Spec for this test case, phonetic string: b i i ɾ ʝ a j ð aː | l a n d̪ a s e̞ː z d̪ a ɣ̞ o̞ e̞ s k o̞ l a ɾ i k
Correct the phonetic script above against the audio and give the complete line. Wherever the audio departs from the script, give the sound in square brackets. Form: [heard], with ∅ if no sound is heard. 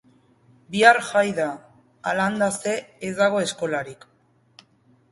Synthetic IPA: b i [a] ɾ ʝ a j ð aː | l a n d̪ a s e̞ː z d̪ a ɣ̞ o̞ e̞ s k o̞ l a ɾ i k

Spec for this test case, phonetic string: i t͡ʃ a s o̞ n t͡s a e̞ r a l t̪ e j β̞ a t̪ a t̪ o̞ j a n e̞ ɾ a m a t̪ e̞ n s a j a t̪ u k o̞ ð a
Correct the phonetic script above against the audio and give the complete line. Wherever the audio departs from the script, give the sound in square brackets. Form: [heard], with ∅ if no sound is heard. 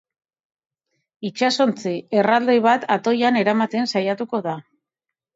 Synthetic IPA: i t͡ʃ a s o̞ n t͡s [i] e̞ r a l [d̪] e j β̞ a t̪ a t̪ o̞ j a n e̞ ɾ a m a t̪ e̞ n s a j a t̪ u k o̞ ð a

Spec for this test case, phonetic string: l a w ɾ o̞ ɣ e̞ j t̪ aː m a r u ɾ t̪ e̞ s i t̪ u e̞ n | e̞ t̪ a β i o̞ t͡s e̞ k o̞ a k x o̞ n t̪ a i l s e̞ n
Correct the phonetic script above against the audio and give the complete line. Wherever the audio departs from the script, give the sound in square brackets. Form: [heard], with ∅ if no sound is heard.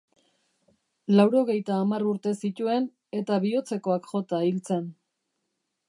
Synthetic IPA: l a w ɾ o̞ ɣ e̞ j t̪ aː m a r u ɾ t̪ e̞ s i t̪ u e̞ n | e̞ t̪ a β i o̞ t͡s e̞ k o̞ a k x o̞ [∅] t̪ a i l [t͡s] e̞ n

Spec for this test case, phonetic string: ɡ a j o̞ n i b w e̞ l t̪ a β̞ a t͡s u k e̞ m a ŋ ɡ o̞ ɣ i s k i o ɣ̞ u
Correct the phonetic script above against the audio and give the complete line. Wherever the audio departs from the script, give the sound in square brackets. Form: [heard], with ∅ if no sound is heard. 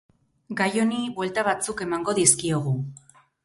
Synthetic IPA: ɡ a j o̞ n i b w e̞ l t̪ a β̞ a t͡s u k e̞ m a ŋ ɡ o̞ [ð] i s k i o ɣ̞ u

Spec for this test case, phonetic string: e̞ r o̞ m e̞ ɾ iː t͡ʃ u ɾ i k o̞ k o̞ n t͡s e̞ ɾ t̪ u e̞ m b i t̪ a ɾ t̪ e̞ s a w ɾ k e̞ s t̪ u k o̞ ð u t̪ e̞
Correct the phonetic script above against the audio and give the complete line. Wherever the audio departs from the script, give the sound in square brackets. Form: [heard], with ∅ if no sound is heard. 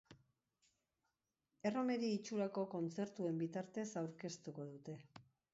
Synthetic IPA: e̞ r o̞ m e̞ ɾ iː t͡ʃ u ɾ [a] k o̞ k o̞ n t͡s e̞ ɾ t̪ u e̞ m b i t̪ a ɾ t̪ e̞ s a w ɾ k e̞ s t̪ u k o̞ ð u t̪ e̞

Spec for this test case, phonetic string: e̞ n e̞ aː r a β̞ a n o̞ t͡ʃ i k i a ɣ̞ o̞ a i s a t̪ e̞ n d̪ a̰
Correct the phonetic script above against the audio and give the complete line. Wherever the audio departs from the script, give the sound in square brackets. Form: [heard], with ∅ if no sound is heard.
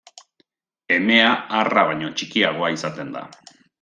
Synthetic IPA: e̞ [m] e̞ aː r a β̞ a [ɲ] o̞ t͡ʃ i k i a ɣ̞ o̞ a i s a t̪ e̞ n d̪ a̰

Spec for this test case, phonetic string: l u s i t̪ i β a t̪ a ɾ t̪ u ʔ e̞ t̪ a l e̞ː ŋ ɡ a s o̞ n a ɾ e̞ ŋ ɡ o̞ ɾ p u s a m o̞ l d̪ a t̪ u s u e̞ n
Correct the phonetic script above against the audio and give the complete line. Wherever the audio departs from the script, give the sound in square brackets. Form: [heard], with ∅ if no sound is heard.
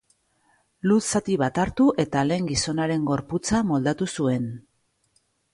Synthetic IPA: l u s [a] t̪ i β a t̪ a ɾ t̪ u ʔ e̞ t̪ a l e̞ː ŋ ɡ [i] s o̞ n a ɾ e̞ ŋ ɡ o̞ ɾ p u [t͡s] a m o̞ l d̪ a t̪ u s u e̞ n

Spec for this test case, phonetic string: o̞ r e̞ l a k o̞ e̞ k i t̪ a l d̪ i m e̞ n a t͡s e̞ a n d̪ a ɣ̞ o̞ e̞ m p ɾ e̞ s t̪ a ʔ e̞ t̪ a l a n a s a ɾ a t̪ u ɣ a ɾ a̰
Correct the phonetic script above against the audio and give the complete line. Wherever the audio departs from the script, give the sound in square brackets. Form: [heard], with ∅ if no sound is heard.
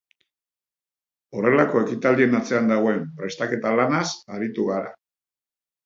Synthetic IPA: o̞ r e̞ l a k o̞ e̞ k i t̪ a l d̪ i [∅] e̞ n a t͡s e̞ a n d̪ a ɣ̞ o̞ e̞ m p ɾ e̞ s t̪ a [k] e̞ t̪ a l a n a s a ɾ [i] t̪ u ɣ a ɾ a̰

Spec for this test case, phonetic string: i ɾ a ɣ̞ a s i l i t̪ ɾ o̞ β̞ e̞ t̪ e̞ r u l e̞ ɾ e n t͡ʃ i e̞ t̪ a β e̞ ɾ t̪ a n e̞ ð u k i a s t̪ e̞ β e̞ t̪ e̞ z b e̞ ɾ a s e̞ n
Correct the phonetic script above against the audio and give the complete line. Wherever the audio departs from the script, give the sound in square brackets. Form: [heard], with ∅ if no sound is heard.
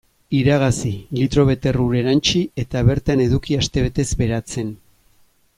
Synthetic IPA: i ɾ a ɣ̞ a s i l i t̪ ɾ o̞ β̞ e̞ t̪ e̞ r u [ɾ] e̞ ɾ [a] n t͡ʃ i e̞ t̪ a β e̞ ɾ t̪ a n e̞ ð u k i a s t̪ e̞ β e̞ t̪ e̞ z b e̞ ɾ a [t͡s] e̞ n

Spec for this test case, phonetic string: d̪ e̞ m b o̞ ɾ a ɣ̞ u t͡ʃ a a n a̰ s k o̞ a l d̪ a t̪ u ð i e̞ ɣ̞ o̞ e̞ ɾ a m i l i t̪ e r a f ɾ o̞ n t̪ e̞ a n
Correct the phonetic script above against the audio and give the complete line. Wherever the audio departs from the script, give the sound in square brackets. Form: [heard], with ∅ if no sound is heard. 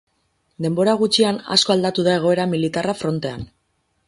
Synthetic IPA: d̪ e̞ m b o̞ ɾ a ɣ̞ u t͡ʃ [i] a n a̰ s k o̞ a l d̪ a t̪ u ð [a] e̞ ɣ̞ o̞ e̞ ɾ a m i l i t̪ [a] r a f ɾ o̞ n t̪ e̞ a n

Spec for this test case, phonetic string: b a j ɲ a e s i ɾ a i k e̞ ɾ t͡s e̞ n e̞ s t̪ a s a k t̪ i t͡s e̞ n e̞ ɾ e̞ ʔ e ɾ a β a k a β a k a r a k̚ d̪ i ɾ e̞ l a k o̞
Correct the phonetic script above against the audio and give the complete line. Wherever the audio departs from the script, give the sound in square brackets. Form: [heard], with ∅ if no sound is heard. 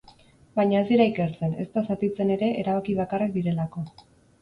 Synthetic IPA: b a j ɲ a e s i ɾ a i k e̞ ɾ t͡s e̞ n e̞ s t̪ a s a [∅] t̪ i t͡s e̞ n e̞ ɾ e̞ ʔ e ɾ a β a k [i] β a k a r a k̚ d̪ i ɾ e̞ l a k o̞

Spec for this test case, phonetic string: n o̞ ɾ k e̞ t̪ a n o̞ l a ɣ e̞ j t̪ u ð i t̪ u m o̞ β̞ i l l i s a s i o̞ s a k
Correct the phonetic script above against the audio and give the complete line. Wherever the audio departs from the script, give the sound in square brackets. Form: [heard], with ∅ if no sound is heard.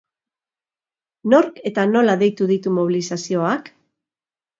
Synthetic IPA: n o̞ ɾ k e̞ t̪ a n o̞ l a [ð] e̞ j t̪ u ð i t̪ u m o̞ β̞ i l l i s a s i o̞ [∅] a k

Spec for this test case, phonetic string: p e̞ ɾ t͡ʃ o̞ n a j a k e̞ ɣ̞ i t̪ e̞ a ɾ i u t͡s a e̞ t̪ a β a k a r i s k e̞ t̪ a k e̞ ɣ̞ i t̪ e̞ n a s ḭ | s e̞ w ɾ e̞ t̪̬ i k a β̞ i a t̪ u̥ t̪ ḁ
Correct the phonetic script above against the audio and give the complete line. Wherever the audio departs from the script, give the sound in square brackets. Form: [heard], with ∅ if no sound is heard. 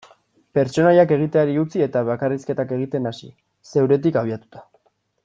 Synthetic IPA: p e̞ ɾ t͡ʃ o̞ n a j a k e̞ ɣ̞ i t̪ e̞ a ɾ i u t͡s [i] e̞ t̪ a β a k a r i s k e̞ t̪ a k e̞ ɣ̞ i t̪ e̞ n a s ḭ | s e̞ w ɾ e̞ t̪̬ i k a β̞ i a t̪ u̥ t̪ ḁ

